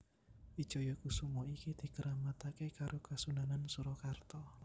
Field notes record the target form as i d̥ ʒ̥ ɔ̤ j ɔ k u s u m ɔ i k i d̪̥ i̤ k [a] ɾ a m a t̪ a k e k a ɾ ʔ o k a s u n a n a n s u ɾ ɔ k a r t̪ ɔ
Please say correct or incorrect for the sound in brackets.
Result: incorrect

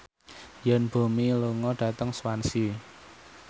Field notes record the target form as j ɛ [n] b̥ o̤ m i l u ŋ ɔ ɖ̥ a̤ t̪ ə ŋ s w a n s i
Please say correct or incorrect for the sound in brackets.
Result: correct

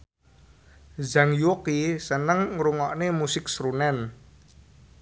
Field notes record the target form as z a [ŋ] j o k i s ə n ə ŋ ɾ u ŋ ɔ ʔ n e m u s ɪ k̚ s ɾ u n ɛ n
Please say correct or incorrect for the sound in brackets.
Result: correct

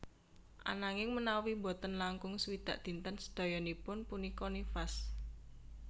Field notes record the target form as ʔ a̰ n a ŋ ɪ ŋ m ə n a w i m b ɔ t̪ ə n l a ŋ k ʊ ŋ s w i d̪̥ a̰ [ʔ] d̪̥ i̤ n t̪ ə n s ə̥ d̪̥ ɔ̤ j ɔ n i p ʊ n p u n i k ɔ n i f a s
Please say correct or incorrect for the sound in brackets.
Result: correct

